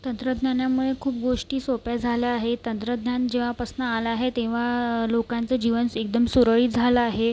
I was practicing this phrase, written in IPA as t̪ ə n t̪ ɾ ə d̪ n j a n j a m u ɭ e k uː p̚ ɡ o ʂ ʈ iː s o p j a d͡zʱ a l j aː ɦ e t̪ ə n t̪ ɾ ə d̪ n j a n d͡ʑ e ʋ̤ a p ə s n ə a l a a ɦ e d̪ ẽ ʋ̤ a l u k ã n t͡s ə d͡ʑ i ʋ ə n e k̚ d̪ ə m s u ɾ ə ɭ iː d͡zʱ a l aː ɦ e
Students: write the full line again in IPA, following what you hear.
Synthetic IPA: t̪ ə n t̪ ɾ ə d̪ n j a n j a m u ɭ e kʰ uː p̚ ɡ o ʂ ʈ iː s o p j a d͡zʱ a l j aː ɦ e t̪ ə n t̪ ɾ ə d̪ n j a n d͡ʑ e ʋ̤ a p ə s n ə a l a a ɦ e t̪ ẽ ʋ̤ a l o k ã n t͡s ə d͡ʑ i ʋ ə n e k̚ d̪ ə m s u ɾ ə ɭ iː d͡zʱ a l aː ɦ e